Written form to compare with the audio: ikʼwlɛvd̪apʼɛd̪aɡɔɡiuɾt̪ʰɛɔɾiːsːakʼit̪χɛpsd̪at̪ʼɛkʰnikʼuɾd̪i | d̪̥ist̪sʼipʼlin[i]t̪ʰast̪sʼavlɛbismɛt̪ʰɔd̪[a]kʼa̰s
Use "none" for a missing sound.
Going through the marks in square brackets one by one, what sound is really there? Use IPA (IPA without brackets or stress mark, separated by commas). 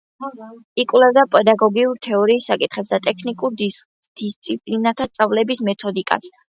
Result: a, i